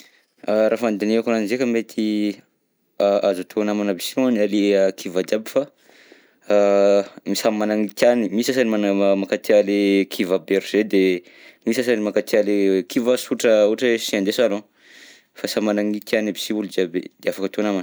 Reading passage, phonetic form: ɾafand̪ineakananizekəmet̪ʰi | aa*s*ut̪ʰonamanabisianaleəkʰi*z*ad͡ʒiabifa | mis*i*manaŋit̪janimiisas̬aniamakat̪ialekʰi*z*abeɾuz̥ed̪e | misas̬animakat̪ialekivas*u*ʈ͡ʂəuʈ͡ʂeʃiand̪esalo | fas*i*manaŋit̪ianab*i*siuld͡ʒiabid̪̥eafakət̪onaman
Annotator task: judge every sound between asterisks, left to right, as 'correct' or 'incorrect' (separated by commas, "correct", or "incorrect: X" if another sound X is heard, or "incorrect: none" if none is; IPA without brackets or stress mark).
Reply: incorrect: z, incorrect: v, incorrect: a, incorrect: v, correct, incorrect: a, correct